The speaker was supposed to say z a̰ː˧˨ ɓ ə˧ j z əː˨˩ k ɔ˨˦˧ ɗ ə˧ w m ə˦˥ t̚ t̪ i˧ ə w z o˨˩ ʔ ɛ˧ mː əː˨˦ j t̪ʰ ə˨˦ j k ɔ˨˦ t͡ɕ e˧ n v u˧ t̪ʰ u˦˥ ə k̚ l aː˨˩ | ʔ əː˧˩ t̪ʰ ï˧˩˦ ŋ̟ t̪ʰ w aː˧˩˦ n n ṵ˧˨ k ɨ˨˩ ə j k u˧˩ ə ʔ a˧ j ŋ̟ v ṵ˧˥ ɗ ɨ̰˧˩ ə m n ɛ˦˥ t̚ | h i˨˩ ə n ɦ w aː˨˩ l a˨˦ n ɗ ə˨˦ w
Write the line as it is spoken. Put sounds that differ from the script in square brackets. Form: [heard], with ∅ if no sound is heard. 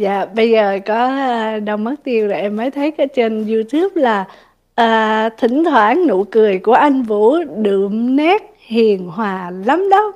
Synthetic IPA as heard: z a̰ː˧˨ ɓ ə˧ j z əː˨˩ k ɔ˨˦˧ ɗ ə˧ w m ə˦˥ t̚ t̪ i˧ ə w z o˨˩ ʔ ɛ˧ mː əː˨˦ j t̪ʰ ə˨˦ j k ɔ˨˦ t͡ɕ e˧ n [z] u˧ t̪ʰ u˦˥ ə [p̚] l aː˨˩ | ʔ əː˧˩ t̪ʰ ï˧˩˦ ŋ̟ t̪ʰ w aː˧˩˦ n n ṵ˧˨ k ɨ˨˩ ə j k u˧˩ ə ʔ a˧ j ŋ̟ v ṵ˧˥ ɗ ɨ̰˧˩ ə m n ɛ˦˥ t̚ | h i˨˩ ə n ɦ w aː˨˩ l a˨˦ [m] ɗ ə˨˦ w